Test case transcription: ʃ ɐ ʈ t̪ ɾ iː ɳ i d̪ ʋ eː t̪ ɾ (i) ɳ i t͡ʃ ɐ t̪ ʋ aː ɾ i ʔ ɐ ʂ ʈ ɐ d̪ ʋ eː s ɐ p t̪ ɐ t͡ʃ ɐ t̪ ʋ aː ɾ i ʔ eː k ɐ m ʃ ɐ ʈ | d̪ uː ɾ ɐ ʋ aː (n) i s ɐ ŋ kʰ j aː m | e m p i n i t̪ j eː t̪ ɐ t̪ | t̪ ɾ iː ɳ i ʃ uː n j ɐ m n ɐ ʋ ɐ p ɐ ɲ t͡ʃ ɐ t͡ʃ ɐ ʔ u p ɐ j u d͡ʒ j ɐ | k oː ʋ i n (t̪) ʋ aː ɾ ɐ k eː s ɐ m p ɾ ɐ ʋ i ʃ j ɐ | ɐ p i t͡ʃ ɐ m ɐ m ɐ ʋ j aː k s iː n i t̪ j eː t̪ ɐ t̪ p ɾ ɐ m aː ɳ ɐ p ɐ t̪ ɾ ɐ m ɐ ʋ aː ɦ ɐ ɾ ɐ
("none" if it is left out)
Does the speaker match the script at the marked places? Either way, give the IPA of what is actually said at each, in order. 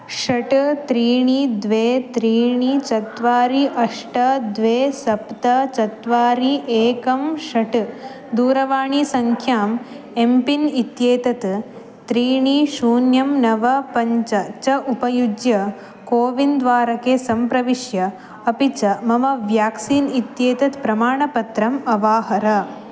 iː, ɳ, d̪

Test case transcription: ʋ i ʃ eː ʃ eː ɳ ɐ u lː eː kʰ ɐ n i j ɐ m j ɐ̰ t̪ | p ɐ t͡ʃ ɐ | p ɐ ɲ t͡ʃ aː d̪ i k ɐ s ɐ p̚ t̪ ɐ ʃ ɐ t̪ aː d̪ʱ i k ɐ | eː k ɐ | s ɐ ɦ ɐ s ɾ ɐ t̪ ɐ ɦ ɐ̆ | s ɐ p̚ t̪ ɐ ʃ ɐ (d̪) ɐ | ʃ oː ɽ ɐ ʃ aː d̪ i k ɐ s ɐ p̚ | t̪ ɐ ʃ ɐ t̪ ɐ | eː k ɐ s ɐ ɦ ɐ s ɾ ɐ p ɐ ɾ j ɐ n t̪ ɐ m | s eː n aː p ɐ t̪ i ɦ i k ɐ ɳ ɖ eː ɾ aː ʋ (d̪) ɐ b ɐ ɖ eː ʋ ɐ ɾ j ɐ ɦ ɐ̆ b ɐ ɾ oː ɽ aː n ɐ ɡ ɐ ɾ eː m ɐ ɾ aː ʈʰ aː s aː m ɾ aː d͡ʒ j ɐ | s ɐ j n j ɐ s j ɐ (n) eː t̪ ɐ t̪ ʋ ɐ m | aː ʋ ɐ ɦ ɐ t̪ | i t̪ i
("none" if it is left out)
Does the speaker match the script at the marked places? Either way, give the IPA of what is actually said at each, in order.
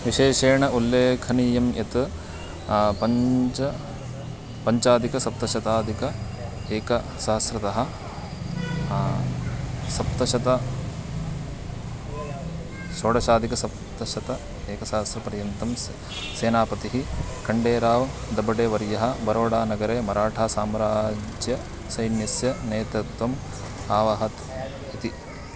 t̪, d̪, n

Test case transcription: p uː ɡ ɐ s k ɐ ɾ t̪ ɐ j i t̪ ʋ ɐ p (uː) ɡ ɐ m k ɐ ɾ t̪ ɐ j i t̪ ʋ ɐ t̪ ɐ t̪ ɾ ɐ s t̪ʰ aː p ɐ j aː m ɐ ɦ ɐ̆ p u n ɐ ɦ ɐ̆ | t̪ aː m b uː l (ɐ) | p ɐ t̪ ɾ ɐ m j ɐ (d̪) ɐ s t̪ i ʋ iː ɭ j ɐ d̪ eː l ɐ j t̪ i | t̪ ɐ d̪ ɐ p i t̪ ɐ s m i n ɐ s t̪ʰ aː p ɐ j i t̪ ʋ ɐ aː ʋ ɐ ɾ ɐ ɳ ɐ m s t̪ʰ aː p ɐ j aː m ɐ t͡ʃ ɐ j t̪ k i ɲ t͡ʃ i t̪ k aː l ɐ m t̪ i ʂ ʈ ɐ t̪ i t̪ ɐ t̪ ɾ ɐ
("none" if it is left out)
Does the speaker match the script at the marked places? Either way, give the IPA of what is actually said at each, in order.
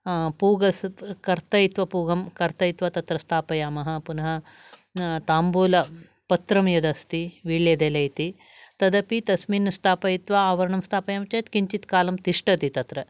uː, ɐ, d̪

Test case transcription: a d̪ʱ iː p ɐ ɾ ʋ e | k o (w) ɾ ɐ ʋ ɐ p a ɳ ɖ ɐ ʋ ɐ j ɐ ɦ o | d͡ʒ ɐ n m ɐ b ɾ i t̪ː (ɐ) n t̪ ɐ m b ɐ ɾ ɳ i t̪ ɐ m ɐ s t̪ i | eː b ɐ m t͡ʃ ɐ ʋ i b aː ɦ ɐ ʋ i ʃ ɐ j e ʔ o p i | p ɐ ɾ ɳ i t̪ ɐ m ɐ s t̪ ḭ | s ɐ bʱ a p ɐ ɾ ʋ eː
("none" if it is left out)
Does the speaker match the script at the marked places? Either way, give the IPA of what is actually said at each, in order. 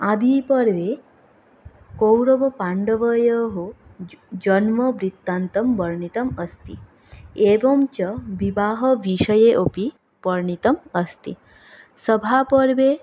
w, a

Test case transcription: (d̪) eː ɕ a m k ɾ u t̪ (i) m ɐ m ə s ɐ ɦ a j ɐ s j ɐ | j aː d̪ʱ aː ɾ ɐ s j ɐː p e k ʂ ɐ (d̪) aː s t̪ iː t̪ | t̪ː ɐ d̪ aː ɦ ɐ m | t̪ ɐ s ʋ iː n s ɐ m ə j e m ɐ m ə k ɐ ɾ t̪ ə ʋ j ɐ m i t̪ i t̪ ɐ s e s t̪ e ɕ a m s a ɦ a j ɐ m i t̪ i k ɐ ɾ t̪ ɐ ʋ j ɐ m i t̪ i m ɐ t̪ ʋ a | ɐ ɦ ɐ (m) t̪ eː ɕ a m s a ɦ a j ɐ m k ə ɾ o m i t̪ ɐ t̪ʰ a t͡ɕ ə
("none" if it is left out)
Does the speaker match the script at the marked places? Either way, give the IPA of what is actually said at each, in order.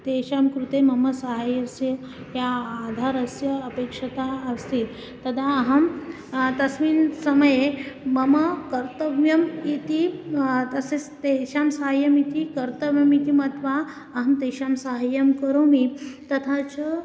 t̪, e, t̪, m

